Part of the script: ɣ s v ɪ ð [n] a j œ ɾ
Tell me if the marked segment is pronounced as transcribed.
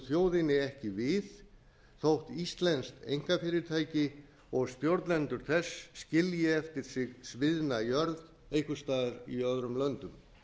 yes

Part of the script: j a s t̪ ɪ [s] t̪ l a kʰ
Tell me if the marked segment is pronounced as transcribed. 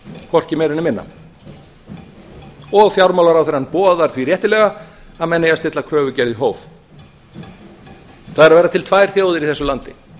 no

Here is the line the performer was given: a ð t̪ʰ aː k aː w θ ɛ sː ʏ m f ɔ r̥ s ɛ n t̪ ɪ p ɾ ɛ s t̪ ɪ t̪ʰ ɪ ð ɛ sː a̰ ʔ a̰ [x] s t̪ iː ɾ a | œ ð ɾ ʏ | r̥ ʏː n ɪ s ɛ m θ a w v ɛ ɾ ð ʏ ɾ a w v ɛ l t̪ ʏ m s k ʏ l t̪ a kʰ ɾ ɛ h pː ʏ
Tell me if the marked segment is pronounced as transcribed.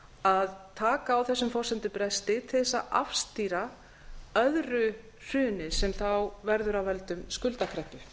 no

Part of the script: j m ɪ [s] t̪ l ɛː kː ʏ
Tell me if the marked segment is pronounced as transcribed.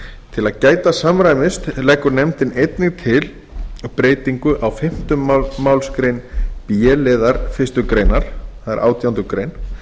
yes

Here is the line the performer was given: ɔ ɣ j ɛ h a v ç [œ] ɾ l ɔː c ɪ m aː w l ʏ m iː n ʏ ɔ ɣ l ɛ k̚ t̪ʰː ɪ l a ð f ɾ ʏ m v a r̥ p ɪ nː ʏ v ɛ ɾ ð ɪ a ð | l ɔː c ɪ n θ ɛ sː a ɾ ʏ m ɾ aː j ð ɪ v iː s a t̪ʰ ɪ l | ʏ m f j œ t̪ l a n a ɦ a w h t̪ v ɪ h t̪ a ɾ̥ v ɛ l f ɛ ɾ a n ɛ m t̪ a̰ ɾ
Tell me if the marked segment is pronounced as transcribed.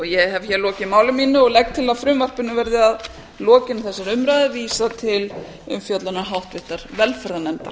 no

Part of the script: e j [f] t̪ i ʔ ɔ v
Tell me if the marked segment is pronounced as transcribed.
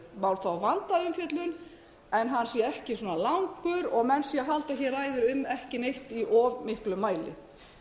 no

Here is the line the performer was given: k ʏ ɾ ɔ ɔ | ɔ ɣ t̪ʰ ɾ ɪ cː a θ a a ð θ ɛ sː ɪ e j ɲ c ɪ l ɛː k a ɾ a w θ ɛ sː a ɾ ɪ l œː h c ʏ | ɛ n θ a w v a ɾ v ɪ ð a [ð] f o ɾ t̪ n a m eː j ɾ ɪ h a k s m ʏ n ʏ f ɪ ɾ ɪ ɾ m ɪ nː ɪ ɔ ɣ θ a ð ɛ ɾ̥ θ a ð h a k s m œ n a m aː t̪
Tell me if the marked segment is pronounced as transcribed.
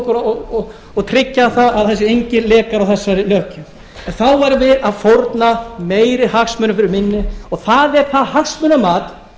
yes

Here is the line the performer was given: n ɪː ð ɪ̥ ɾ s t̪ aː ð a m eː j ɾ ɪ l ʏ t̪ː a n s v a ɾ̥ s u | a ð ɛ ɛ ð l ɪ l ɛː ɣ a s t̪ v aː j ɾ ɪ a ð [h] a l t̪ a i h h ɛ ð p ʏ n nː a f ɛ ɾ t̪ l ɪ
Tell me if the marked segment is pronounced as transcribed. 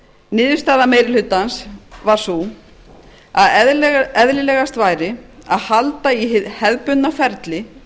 yes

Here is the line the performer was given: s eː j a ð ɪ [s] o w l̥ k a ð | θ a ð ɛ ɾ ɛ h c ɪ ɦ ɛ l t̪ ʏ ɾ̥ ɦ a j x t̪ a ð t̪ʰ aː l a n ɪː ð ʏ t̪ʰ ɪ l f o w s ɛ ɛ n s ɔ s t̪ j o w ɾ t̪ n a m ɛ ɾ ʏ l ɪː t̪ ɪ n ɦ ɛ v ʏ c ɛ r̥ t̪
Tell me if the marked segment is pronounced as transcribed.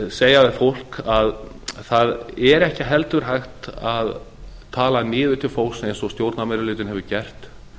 no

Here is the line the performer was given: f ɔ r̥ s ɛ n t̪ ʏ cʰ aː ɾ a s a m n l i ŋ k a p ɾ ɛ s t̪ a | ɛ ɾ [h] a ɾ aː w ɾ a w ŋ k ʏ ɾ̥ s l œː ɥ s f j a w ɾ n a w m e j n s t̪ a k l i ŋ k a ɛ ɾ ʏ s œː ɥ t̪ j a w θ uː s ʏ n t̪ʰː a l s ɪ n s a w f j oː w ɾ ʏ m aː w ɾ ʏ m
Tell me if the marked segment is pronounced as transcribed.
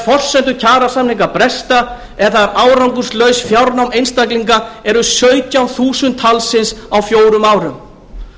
no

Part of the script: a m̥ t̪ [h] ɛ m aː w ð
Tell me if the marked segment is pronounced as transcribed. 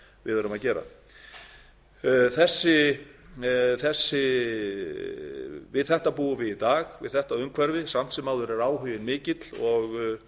no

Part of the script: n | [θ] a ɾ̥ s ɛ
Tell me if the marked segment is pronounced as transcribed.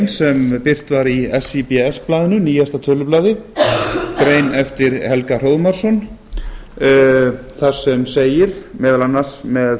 yes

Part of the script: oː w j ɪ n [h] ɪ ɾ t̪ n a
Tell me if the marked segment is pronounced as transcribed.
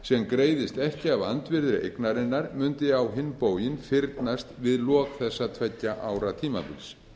no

